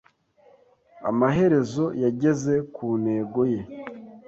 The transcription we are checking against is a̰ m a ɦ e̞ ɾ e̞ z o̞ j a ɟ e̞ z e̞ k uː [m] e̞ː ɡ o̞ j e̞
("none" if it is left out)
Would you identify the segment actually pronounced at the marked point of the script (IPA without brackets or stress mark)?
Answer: n